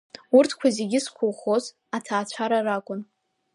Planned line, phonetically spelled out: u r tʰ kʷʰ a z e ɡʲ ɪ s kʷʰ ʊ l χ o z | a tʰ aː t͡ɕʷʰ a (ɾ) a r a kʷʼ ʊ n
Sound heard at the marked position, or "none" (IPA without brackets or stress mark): ɾ